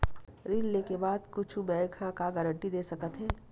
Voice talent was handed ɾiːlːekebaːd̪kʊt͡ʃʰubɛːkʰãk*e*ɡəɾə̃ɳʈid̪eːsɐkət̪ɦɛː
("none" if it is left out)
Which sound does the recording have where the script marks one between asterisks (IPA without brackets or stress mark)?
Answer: a